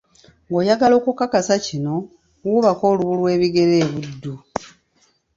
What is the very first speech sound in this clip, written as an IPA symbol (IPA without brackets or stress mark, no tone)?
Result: ŋ